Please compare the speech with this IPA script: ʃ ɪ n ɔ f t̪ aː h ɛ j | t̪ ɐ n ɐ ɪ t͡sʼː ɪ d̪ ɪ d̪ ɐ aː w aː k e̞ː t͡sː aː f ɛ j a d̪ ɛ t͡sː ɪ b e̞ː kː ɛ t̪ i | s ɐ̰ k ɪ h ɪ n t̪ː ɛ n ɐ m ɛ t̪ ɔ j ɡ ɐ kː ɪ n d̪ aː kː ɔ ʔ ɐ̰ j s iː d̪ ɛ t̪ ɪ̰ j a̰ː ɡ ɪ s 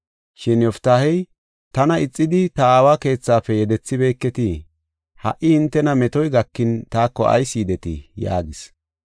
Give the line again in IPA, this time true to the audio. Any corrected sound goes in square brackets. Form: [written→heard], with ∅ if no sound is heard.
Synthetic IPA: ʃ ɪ n ɔ f t̪ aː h ɛ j | t̪ ɐ n ɐ ɪ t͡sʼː ɪ d̪ ɪ [d̪→t̪] ɐ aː w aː k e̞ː t͡sː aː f ɛ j [a→ɛ] d̪ ɛ t͡sː ɪ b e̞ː kː ɛ t̪ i | [s→h] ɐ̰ [k→ʔ] ɪ h ɪ n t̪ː ɛ n ɐ m ɛ t̪ ɔ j ɡ ɐ kː ɪ n [d̪→t̪] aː kː ɔ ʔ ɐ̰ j s iː d̪ ɛ t̪ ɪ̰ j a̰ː ɡ ɪ s

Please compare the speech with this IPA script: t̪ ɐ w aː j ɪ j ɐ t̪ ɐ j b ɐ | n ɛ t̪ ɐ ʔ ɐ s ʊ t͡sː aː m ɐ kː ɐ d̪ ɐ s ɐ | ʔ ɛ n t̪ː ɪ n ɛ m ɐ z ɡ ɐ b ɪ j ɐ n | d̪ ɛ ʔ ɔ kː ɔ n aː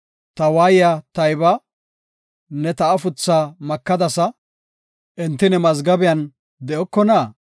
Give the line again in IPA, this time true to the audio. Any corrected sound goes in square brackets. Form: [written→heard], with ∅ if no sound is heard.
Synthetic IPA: t̪ ɐ w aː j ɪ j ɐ t̪ ɐ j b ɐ | n ɛ t̪ ɐ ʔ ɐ [s→f] ʊ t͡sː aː m ɐ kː ɐ d̪ ɐ s ɐ | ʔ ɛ n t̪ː ɪ n ɛ m ɐ z ɡ ɐ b ɪ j ɐ n | d̪ ɛ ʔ ɔ kː ɔ n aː

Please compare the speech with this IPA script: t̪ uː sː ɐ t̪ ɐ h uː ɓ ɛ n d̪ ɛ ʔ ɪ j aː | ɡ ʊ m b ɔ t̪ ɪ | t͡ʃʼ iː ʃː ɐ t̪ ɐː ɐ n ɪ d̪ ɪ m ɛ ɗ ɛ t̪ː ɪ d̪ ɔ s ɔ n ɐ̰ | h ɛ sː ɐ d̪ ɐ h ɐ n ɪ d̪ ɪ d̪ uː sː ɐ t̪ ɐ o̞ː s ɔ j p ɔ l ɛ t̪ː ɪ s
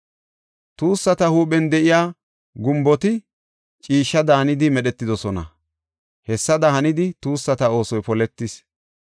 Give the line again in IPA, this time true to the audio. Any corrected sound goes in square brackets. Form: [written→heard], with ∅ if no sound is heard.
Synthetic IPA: t̪ uː sː ɐ t̪ ɐ h uː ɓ ɛ n d̪ ɛ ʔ ɪ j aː | ɡ ʊ m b ɔ t̪ ɪ | t͡ʃʼ iː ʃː ɐ [t̪→d̪] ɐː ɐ n ɪ d̪ ɪ m ɛ ɗ ɛ t̪ː ɪ d̪ ɔ s ɔ n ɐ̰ | h ɛ sː ɐ d̪ ɐ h ɐ n ɪ d̪ ɪ [d̪→t̪] uː sː ɐ t̪ ɐ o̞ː s ɔ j p ɔ l ɛ t̪ː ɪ s

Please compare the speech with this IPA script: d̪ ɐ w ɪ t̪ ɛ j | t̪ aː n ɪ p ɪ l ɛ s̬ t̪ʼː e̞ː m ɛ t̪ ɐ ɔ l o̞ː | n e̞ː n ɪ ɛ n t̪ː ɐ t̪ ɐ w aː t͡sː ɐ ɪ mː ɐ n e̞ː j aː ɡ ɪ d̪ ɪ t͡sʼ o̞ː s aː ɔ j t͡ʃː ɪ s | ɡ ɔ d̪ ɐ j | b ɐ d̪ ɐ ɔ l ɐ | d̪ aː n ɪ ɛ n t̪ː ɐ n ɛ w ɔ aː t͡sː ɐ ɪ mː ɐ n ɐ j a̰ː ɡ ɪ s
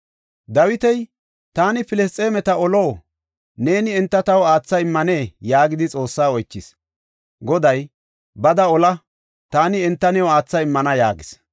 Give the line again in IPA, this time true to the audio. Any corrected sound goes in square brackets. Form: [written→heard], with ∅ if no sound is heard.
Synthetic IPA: d̪ ɐ w ɪ t̪ ɛ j | t̪ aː n ɪ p ɪ l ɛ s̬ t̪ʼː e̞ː m ɛ t̪ ɐ ɔ l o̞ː | n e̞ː n ɪ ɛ n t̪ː ɐ t̪ ɐ w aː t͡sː ɐ ɪ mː ɐ n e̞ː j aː ɡ ɪ d̪ ɪ t͡sʼ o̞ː [s→sː] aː ɔ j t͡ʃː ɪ s | ɡ ɔ d̪ ɐ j | b ɐ d̪ ɐ ɔ l ɐ | [d̪→t̪] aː n ɪ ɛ n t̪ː ɐ n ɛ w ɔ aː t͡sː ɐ ɪ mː ɐ n ɐ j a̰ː ɡ ɪ s

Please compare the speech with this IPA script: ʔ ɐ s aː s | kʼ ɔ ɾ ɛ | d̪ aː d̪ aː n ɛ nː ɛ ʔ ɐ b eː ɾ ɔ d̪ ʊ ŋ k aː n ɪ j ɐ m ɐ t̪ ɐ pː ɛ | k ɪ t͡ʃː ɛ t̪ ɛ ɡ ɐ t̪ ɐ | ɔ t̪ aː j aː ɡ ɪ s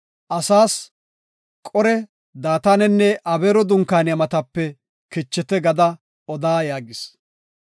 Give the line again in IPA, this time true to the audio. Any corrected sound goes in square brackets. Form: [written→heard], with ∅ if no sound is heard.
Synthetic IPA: ʔ ɐ s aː s | kʼ ɔ ɾ ɛ | d̪ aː [d̪→t̪] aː n ɛ nː ɛ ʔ ɐ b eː ɾ ɔ d̪ ʊ ŋ k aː n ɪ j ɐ m ɐ t̪ ɐ pː ɛ | k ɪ t͡ʃː ɛ t̪ ɛ ɡ ɐ [t̪→d̪] ɐ | ɔ [t̪→d̪] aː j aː ɡ ɪ s

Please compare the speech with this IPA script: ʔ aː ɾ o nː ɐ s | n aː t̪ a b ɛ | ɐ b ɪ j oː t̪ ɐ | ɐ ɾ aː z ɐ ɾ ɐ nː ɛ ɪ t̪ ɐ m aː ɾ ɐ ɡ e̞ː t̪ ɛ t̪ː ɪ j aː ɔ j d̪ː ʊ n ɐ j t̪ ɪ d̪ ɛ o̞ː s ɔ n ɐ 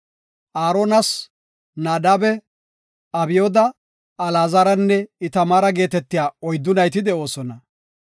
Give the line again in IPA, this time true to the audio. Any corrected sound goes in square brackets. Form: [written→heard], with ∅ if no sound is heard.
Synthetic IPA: ʔ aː ɾ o [nː→n] ɐ s | n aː [t̪→d̪] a b ɛ | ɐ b ɪ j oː [t̪→d̪] ɐ | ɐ [ɾ→l] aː z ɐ ɾ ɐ nː ɛ ɪ t̪ ɐ m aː ɾ ɐ ɡ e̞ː t̪ ɛ t̪ː ɪ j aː ɔ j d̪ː ʊ n ɐ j t̪ ɪ d̪ ɛ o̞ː s ɔ n ɐ

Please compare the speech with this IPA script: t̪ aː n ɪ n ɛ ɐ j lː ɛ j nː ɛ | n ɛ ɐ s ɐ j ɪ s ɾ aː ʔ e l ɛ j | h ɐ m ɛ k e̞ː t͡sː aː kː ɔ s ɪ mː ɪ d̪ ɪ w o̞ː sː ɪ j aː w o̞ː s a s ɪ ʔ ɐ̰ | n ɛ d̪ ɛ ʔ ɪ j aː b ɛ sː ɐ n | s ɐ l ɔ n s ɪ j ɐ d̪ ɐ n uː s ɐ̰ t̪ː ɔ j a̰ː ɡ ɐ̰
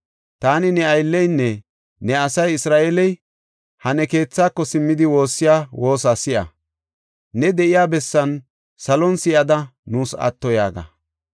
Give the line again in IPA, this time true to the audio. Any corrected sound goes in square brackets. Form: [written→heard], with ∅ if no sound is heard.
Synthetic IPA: t̪ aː n ɪ n ɛ ɐ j lː ɛ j nː ɛ | n ɛ ɐ s ɐ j ɪ s ɾ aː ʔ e l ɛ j | h ɐ [m→n] ɛ k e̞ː t͡sː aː kː ɔ s ɪ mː ɪ d̪ ɪ w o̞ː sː ɪ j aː w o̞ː s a s ɪ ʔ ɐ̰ | n ɛ d̪ ɛ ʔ ɪ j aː b ɛ sː ɐ n | s ɐ l ɔ n s ɪ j ɐ d̪ ɐ n uː s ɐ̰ t̪ː ɔ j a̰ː ɡ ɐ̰

